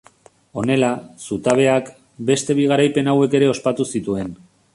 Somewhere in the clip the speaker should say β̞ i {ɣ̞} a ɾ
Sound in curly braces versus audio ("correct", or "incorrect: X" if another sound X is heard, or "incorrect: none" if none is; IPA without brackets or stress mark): correct